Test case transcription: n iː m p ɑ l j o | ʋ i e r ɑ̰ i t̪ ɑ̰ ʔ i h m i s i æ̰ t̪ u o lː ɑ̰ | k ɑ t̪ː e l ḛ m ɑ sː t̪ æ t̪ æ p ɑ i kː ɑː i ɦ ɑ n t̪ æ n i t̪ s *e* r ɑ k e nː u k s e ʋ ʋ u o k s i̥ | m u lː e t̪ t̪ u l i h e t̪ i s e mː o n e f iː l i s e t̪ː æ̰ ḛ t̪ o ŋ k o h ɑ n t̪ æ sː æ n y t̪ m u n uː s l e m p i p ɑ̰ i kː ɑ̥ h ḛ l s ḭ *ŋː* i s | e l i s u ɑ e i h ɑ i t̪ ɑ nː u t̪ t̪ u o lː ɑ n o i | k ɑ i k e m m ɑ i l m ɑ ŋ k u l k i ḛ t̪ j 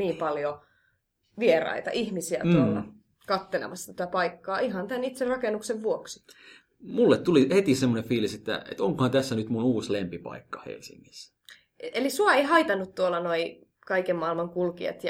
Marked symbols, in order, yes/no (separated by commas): yes, yes